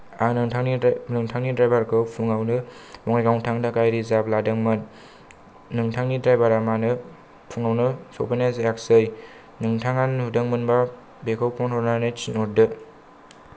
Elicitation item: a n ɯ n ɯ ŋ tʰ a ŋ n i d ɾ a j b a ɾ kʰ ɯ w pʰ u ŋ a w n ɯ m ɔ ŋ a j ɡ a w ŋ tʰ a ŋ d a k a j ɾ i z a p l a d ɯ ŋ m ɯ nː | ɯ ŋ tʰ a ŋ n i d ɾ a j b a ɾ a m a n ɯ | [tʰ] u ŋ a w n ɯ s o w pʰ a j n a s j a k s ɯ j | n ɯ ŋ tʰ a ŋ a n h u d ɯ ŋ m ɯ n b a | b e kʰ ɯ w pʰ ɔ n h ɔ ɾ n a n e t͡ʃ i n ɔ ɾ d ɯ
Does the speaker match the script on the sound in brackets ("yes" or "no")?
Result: no